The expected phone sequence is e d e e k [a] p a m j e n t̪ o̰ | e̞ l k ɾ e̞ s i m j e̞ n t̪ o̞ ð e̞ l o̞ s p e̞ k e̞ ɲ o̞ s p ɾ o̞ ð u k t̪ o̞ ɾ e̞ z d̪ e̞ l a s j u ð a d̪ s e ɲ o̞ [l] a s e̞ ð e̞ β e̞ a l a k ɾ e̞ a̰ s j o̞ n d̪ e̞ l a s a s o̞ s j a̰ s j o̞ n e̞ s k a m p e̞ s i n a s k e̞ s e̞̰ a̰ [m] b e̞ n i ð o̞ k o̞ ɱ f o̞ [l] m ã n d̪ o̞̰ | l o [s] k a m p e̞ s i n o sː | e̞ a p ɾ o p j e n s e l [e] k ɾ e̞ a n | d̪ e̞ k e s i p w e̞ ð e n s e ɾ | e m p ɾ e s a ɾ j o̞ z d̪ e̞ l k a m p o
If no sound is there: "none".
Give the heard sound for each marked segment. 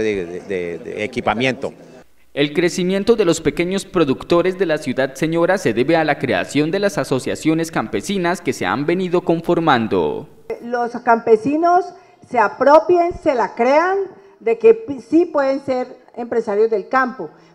i, ɾ, m, ɾ, s, a

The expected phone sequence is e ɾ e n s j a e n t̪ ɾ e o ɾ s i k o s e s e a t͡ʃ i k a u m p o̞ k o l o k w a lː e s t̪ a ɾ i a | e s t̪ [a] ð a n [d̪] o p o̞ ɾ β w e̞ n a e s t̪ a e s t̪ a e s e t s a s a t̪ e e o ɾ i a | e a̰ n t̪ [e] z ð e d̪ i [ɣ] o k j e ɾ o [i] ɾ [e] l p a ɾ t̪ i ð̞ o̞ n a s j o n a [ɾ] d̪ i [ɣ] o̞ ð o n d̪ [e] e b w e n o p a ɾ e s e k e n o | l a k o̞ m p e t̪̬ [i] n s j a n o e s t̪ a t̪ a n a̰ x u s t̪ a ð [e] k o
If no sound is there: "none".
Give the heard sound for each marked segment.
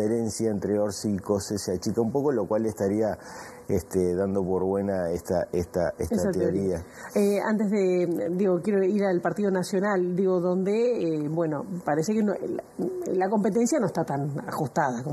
e, d̪, e, ɣ, i, a, l, ɣ, e, e, a

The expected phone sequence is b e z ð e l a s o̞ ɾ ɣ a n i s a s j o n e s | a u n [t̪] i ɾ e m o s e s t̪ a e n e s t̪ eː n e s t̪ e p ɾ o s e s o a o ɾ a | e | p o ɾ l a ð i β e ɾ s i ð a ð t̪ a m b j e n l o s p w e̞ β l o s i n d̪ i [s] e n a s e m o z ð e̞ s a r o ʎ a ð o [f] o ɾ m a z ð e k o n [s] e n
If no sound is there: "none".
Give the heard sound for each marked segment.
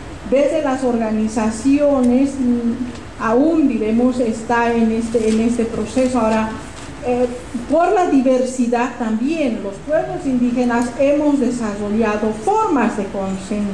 d̪, x, f, s

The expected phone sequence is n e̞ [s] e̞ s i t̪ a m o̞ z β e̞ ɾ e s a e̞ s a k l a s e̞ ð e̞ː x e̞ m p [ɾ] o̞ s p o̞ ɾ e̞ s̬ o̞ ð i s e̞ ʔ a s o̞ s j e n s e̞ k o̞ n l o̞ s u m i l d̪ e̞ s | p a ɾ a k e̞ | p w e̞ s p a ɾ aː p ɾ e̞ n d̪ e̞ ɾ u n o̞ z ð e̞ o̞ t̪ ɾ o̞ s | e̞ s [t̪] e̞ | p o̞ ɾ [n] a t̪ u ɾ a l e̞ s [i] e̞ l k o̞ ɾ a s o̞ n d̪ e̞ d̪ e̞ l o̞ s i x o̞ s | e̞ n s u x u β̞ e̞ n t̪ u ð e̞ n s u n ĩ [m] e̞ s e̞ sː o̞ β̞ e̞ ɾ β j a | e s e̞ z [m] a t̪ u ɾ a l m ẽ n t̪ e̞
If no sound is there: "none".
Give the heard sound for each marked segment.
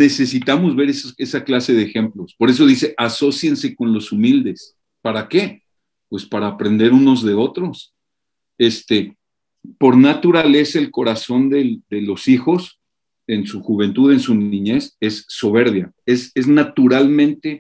s, l, t̪, n, a, ɲ, n

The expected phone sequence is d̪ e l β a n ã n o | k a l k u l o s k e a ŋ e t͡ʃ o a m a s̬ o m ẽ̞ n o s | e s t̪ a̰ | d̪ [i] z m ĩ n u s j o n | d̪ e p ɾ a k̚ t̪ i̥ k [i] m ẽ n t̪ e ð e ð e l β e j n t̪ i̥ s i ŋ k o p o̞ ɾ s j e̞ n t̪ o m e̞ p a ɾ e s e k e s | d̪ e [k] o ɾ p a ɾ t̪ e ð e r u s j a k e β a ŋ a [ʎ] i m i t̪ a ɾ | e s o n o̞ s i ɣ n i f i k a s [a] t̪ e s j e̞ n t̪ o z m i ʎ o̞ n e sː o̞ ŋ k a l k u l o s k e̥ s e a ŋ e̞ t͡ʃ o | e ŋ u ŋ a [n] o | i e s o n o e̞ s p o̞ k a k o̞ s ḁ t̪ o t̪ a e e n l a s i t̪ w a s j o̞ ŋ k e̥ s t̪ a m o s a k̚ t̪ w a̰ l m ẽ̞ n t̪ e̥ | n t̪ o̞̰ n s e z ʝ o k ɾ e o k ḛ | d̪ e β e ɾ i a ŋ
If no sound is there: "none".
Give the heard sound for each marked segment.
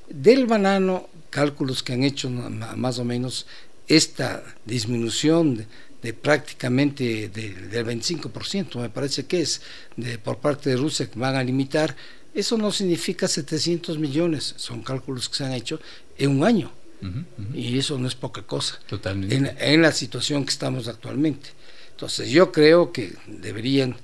i, a, p, l, e, ɲ

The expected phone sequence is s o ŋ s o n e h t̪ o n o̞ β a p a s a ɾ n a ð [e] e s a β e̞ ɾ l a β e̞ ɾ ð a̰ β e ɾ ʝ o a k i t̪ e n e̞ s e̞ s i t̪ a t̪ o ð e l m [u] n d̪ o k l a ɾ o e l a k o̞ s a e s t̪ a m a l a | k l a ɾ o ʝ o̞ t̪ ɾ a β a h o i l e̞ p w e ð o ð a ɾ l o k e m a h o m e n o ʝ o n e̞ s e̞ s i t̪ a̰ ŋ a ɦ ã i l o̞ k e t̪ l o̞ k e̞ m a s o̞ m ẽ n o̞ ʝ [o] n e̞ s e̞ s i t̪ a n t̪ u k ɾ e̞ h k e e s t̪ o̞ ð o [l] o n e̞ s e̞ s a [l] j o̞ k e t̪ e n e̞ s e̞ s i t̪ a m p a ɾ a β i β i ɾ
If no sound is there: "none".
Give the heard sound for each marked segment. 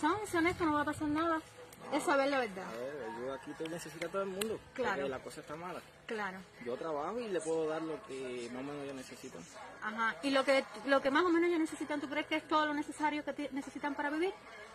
a, ũ, o, l, ɾ

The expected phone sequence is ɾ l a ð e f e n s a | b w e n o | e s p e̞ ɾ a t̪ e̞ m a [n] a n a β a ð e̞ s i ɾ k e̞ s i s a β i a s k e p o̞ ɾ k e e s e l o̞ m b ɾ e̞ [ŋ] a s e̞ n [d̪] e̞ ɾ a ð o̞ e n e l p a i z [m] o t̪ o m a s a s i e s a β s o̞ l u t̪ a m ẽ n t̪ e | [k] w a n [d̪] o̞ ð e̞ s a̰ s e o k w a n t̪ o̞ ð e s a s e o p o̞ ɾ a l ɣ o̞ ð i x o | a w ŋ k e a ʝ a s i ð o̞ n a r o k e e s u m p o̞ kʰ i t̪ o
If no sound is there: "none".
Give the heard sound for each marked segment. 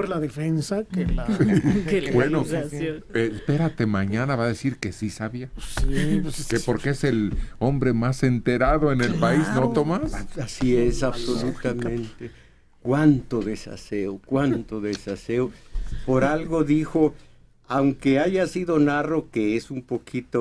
ɲ, m, t̪, n, k, t̪

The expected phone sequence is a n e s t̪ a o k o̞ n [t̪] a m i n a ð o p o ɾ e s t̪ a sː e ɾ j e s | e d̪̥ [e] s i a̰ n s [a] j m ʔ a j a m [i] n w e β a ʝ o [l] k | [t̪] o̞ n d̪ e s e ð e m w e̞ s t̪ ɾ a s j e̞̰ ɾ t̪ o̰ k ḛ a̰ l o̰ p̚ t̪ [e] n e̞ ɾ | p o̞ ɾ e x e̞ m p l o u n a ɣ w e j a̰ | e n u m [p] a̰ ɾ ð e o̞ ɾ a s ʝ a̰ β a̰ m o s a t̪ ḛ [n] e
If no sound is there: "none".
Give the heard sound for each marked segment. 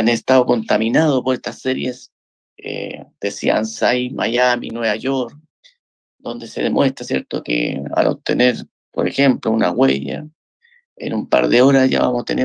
t̪, e, a, i, ɾ, d̪, e, p, n

